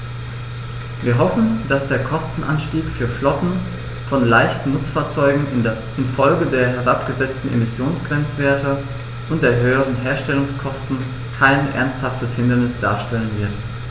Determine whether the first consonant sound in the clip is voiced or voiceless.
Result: voiced